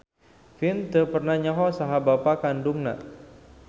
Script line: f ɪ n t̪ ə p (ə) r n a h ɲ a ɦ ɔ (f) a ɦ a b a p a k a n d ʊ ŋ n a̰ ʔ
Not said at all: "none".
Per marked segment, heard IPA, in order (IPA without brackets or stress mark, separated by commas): ə, s